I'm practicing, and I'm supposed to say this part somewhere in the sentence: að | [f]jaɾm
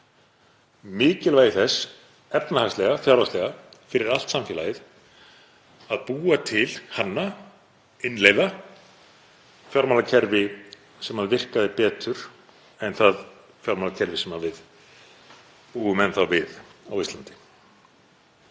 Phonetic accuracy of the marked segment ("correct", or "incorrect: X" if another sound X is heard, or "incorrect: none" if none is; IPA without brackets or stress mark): correct